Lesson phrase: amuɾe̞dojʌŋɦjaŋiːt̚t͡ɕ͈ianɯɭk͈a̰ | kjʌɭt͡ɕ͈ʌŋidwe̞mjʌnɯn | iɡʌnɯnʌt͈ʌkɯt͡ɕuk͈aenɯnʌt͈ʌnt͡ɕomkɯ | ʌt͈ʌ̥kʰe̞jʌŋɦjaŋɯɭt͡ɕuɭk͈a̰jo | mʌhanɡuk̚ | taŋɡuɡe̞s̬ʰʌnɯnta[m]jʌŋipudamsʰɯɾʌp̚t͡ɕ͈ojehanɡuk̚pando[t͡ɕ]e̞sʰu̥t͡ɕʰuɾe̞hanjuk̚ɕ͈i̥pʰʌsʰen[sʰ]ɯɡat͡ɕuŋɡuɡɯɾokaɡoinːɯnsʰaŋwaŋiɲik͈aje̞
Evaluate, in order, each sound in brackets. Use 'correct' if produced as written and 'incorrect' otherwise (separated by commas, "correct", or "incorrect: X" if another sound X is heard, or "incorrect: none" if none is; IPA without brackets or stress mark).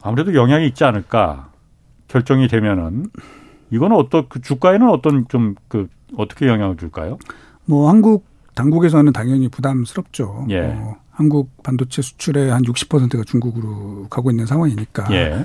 incorrect: ŋ, incorrect: t͡ɕʰ, incorrect: tʰ